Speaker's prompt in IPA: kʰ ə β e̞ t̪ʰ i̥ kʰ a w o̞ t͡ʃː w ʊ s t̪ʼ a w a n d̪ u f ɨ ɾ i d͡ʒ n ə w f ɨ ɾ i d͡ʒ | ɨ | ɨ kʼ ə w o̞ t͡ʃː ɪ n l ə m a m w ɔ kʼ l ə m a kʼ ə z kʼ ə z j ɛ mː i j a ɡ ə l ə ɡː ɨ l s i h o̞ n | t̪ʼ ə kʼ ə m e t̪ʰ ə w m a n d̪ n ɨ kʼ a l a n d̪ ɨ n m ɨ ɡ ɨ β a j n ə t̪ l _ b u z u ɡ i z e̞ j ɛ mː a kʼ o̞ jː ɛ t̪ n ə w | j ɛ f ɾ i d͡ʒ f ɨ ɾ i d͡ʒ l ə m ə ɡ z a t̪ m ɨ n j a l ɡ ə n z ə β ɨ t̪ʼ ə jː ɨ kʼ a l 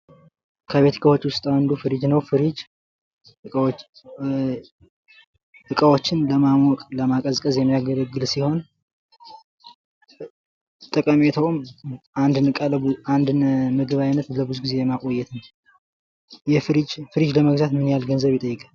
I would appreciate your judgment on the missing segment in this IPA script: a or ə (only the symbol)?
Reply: ə